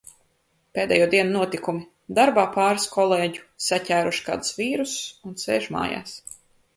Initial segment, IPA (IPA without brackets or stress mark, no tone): p